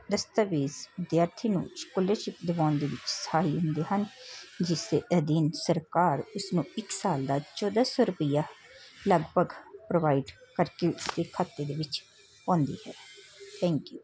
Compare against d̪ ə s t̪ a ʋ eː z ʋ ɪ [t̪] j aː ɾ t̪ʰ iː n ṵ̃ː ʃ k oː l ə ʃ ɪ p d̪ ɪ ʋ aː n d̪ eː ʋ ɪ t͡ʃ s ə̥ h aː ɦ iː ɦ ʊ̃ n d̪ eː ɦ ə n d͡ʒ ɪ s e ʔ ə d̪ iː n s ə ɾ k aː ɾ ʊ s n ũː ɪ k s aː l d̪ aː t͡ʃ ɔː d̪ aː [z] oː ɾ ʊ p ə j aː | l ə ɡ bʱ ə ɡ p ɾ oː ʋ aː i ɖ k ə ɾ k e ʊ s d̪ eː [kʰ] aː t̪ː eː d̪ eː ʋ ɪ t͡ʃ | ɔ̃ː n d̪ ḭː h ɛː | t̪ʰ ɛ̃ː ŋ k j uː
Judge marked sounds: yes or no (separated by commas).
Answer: no, no, yes